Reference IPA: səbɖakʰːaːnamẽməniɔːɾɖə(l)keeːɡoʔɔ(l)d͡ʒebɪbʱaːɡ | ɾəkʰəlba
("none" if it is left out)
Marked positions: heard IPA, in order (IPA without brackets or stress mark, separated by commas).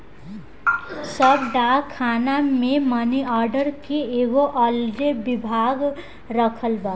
ɾ, l